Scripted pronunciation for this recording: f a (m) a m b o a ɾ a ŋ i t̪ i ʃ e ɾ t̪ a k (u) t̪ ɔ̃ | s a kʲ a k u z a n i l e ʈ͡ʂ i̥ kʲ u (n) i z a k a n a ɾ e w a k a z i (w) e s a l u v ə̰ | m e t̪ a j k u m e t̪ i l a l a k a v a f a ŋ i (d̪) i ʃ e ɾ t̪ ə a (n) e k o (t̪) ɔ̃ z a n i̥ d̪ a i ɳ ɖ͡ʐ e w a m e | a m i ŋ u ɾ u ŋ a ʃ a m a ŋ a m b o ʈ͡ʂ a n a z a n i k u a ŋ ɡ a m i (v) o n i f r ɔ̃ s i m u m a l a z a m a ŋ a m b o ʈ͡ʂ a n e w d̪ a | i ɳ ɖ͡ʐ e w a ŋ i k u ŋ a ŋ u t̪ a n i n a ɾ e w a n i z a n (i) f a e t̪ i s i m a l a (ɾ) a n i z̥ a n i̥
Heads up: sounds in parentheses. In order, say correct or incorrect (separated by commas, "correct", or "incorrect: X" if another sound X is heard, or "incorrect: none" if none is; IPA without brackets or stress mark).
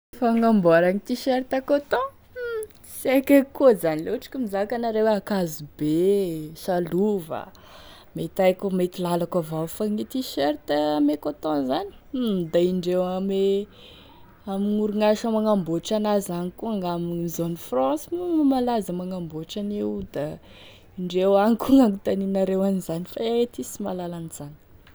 incorrect: ŋ, incorrect: o, incorrect: m, incorrect: b, incorrect: t̪, incorrect: m, correct, incorrect: z, correct, incorrect: l